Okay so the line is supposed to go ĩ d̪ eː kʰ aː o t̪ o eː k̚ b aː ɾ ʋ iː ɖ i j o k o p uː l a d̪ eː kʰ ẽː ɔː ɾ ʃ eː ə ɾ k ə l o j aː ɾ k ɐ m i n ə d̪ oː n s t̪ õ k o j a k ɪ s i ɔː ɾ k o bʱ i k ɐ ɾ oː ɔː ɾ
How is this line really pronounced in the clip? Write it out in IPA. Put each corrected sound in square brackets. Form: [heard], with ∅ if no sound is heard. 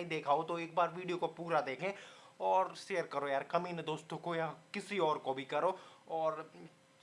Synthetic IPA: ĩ d̪ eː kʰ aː o t̪ o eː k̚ b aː ɾ ʋ iː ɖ i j o k o p uː [ɾ] a d̪ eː kʰ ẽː ɔː ɾ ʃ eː ə ɾ k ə [ɾ] o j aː ɾ k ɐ m i n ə d̪ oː [∅] s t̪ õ k o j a k ɪ s i ɔː ɾ k o bʱ i k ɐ ɾ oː ɔː ɾ